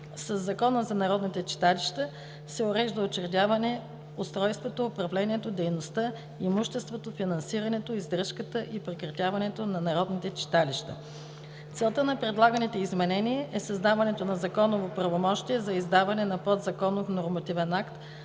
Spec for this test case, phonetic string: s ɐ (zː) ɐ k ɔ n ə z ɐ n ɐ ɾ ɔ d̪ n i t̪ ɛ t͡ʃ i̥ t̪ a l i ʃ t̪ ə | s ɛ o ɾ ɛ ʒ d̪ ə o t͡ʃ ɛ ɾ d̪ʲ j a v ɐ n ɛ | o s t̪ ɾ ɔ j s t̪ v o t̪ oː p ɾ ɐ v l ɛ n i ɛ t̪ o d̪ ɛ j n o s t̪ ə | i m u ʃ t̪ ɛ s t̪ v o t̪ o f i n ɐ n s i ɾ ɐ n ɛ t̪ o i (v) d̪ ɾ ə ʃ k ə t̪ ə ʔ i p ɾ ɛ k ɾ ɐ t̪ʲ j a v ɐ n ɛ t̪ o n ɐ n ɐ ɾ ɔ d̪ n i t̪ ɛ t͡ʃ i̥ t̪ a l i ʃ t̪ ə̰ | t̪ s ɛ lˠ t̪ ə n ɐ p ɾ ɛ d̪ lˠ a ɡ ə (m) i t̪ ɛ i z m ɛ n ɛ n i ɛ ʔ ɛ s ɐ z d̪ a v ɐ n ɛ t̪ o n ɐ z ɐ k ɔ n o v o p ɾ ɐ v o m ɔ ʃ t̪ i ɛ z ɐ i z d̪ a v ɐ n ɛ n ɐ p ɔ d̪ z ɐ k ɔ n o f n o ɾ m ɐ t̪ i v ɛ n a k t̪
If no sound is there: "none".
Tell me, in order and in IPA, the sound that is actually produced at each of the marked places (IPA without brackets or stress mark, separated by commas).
zː, z, n